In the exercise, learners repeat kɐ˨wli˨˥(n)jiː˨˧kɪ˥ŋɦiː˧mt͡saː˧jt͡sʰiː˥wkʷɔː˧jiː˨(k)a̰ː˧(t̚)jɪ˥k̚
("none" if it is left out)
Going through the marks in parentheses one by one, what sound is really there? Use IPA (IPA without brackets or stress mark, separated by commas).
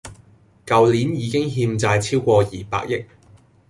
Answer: n, p, k̚